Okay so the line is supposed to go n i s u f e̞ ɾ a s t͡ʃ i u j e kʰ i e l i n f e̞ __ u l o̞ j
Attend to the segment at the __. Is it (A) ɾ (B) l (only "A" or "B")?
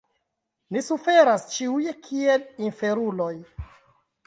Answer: A